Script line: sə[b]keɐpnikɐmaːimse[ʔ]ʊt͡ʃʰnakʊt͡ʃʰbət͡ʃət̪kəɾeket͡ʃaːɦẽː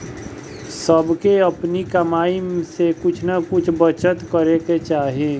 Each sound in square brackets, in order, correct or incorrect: correct, incorrect

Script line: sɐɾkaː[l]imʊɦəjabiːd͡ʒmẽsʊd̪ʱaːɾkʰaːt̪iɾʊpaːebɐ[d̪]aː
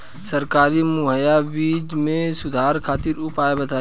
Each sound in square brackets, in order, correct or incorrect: incorrect, incorrect

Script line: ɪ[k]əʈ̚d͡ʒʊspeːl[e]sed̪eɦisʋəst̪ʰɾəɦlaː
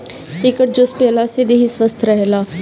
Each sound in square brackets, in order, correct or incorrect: correct, incorrect

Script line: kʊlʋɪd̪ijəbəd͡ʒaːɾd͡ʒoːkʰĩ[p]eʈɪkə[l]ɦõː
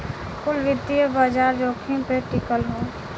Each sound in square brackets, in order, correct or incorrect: correct, correct

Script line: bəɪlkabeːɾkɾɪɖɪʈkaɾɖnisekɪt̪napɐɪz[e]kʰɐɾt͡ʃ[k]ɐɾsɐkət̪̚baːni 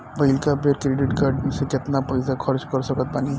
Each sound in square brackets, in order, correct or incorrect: incorrect, correct

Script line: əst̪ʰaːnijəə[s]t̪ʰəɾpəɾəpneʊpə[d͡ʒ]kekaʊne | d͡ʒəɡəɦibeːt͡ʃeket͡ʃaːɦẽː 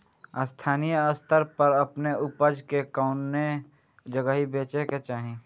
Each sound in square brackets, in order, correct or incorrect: correct, correct

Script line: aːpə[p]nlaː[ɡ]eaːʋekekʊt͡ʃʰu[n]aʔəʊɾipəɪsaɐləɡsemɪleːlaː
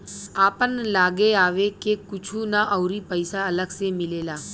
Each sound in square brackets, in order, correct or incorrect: incorrect, correct, correct

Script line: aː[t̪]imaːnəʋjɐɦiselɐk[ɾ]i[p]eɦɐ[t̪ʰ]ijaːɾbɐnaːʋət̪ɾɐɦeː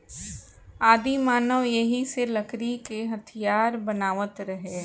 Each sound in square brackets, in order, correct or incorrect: incorrect, correct, incorrect, correct

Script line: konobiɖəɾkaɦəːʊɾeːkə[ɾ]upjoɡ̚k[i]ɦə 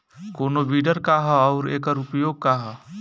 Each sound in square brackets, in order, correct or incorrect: correct, incorrect

